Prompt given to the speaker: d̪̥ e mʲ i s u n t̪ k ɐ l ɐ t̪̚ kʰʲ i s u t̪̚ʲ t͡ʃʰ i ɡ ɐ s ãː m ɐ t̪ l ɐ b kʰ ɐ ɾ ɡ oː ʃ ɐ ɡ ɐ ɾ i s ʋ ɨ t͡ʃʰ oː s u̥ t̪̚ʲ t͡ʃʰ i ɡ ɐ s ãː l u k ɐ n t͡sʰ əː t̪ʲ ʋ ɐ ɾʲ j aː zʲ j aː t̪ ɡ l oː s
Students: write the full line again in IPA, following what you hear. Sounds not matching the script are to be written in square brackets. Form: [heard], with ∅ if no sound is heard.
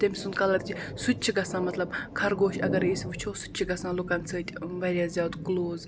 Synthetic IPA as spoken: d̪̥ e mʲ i s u n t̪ k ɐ l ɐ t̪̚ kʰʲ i s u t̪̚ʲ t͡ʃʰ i ɡ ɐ s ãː m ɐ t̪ l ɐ b kʰ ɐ ɾ ɡ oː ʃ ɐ ɡ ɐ ɾ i s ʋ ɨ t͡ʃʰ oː s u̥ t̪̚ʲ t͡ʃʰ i ɡ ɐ s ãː l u k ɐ n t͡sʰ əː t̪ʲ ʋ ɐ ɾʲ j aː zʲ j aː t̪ ɡ l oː [z]